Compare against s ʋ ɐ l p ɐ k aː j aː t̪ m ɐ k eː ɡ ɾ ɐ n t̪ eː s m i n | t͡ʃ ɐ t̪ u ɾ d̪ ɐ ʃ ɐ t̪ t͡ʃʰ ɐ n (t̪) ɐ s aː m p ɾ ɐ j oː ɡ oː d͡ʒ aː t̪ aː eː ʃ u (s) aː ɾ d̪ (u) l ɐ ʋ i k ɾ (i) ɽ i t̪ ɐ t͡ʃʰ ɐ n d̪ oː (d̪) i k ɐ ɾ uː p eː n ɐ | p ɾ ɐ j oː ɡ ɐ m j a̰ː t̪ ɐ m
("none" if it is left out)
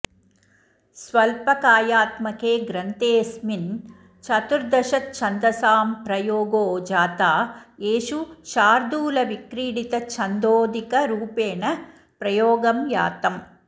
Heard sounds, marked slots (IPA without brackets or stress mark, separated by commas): d̪, ʃ, uː, iː, d̪